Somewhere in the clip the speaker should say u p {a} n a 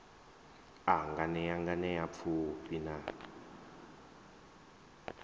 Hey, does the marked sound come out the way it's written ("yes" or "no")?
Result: no